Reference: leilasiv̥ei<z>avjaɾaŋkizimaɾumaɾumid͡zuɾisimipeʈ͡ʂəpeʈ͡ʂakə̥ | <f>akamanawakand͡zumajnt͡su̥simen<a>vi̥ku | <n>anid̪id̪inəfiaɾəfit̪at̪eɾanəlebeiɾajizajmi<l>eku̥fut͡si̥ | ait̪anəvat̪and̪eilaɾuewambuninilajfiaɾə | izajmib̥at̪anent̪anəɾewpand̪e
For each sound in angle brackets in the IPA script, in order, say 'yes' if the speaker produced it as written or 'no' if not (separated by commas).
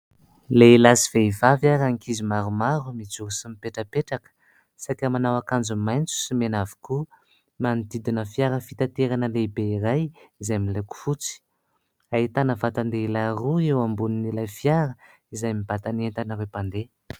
no, no, yes, no, yes